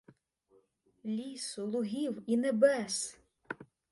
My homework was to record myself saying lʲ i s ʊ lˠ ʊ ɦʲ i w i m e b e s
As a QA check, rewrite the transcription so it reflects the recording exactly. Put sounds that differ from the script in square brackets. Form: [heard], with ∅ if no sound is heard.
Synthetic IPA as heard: lʲ i s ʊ lˠ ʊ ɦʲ i w i [n] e b [ɛ] s

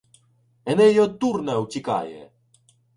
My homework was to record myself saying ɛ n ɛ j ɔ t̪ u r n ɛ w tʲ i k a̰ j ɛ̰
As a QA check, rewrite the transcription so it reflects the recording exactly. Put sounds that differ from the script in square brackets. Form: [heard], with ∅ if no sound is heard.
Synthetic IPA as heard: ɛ n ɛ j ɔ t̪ u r n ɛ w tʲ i k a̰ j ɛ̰

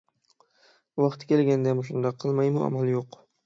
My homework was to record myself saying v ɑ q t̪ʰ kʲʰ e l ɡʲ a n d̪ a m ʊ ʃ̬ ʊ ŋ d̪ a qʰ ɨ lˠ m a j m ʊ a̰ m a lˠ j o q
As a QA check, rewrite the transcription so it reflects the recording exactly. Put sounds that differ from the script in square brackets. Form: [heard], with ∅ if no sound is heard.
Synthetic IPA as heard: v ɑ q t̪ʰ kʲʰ e l ɡʲ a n d̪ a m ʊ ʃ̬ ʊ [n] d̪ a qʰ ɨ lˠ m a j m ʊ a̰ m a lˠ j o q

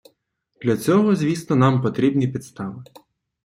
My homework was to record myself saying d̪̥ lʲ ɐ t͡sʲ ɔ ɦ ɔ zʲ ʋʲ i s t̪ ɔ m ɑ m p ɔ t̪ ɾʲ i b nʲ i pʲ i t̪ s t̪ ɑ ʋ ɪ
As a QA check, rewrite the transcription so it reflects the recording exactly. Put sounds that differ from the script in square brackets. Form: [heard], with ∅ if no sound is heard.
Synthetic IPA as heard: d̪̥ lʲ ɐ t͡sʲ ɔ ɦ ɔ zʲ ʋʲ i s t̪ ɔ [n] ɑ m p ɔ t̪ ɾʲ i b nʲ i pʲ i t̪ s t̪ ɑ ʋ ɪ

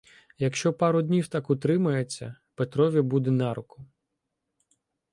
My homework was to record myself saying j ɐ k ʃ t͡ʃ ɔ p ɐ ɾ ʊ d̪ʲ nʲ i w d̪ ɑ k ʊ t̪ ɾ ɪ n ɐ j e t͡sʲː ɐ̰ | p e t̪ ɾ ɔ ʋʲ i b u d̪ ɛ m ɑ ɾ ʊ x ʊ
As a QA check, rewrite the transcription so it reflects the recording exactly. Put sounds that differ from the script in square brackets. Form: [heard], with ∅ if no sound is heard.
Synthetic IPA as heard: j ɐ k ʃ t͡ʃ ɔ p [ɑ] ɾ ʊ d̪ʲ nʲ i w [t̪] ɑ k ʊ t̪ ɾ ɪ [m] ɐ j e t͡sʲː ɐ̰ | p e t̪ ɾ ɔ ʋʲ i b u d̪ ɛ [n] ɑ ɾ ʊ [k] ʊ

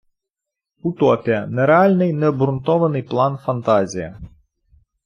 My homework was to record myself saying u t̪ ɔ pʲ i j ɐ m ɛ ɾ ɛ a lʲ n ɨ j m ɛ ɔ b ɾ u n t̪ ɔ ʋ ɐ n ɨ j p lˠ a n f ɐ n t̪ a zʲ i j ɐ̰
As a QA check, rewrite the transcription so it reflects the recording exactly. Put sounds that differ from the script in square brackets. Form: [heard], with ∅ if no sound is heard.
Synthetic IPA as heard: u t̪ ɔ pʲ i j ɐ [n] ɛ ɾ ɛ a lʲ n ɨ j [n] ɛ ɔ b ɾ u n t̪ ɔ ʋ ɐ n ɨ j p lˠ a n f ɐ n t̪ a zʲ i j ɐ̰

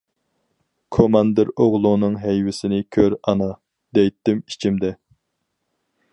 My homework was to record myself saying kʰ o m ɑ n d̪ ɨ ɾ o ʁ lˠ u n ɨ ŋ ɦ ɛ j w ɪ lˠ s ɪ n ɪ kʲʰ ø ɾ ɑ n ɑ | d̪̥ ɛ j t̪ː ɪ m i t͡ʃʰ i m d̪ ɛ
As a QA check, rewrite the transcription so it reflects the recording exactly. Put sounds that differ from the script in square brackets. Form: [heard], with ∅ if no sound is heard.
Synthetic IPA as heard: kʰ o m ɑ n d̪ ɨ ɾ o ʁ lˠ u n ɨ ŋ ɦ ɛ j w ɪ [∅] s ɪ n ɪ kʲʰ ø ɾ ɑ n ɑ | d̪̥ ɛ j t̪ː ɪ m i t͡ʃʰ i m d̪ ɛ

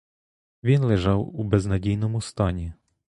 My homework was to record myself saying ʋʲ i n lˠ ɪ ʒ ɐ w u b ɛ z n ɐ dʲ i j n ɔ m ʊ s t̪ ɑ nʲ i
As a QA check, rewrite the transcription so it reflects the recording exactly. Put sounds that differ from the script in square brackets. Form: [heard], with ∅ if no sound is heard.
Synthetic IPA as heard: ʋʲ i n lˠ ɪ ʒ [ɑ] w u b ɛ z n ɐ dʲ i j n ɔ m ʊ s t̪ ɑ nʲ i

